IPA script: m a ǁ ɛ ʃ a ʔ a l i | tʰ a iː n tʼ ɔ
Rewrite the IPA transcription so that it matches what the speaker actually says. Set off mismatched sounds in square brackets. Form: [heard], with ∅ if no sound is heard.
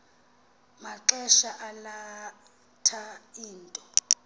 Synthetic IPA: m a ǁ ɛ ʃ a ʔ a l [a] | tʰ a iː n tʼ ɔ